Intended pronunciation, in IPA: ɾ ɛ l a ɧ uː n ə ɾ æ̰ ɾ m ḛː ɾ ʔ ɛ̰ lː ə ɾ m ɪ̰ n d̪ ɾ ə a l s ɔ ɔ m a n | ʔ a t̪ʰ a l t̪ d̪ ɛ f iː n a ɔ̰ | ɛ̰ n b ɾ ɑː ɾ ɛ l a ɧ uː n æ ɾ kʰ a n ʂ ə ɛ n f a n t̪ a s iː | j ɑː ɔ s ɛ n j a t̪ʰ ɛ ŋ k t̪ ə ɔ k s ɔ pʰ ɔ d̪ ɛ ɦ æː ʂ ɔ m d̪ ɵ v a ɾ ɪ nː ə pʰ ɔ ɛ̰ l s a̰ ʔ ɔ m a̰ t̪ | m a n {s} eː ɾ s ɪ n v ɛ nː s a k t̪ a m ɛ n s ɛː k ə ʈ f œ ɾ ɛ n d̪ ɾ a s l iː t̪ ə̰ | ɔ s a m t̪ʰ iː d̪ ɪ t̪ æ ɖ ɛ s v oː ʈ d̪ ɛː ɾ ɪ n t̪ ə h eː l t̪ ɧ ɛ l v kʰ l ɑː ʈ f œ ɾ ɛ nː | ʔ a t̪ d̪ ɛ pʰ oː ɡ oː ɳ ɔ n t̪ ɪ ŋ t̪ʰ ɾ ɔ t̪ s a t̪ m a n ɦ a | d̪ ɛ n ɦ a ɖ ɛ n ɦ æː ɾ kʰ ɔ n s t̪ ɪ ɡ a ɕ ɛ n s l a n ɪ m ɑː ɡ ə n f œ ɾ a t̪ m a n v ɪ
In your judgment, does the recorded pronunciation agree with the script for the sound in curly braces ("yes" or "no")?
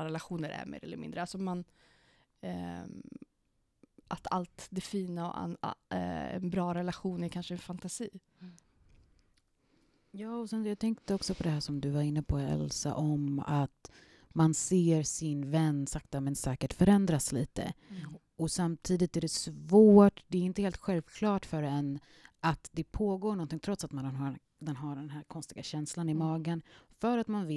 yes